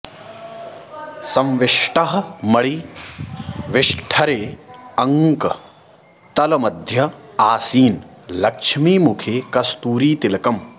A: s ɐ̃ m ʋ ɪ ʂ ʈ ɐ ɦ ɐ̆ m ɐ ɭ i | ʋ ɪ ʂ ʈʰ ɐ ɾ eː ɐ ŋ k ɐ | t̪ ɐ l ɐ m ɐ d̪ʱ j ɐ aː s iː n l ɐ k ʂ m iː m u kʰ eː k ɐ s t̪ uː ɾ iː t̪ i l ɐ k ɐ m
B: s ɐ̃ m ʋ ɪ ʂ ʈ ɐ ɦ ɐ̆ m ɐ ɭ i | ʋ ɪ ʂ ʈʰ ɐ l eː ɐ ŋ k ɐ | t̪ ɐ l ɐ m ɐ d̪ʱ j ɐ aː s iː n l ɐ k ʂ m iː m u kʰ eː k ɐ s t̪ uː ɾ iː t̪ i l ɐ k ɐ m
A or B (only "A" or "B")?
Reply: A